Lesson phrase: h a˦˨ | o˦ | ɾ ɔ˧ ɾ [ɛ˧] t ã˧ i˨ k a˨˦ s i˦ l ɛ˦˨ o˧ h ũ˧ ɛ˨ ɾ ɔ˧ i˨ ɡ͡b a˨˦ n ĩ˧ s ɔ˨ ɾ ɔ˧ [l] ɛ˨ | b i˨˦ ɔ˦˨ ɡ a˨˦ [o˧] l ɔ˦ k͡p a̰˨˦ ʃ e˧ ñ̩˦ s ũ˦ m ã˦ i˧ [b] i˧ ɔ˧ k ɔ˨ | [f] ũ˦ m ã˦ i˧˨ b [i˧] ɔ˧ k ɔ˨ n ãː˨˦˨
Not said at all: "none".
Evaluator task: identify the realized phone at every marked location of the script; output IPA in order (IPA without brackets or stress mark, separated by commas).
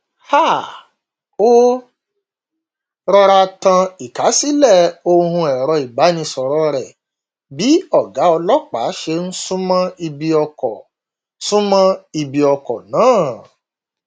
a˧, ɾ, ɔ˧, b, s, i˧